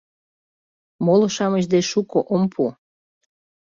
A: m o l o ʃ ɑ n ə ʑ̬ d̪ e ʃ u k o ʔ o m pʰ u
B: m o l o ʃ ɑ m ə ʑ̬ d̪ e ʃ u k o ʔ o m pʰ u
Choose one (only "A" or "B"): B